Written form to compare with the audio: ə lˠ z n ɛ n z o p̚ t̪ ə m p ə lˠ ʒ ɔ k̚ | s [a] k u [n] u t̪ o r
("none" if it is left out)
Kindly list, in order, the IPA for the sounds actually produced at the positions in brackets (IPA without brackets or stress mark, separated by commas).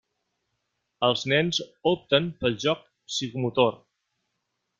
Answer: i, m